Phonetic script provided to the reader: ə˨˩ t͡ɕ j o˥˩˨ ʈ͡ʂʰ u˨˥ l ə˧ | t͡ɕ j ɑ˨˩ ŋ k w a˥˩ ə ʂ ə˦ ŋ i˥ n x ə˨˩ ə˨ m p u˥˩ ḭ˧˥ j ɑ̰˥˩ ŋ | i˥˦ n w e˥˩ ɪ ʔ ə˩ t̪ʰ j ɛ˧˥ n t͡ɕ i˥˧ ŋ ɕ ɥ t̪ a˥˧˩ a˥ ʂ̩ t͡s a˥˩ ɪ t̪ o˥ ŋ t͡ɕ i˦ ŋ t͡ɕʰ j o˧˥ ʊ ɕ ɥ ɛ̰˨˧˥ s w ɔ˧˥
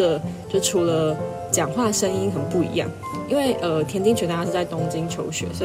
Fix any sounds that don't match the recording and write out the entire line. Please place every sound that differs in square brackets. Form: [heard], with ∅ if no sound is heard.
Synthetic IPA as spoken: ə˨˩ t͡ɕ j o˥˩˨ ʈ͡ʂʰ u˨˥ l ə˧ | t͡ɕ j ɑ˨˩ ŋ [x] w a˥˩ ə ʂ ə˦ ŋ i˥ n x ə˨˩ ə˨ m p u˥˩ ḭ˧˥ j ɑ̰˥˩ ŋ | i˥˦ n w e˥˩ ɪ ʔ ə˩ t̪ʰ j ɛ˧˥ n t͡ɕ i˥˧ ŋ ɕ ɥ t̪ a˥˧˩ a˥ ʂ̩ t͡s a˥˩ ɪ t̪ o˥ ŋ t͡ɕ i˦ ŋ t͡ɕʰ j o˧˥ ʊ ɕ ɥ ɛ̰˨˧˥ s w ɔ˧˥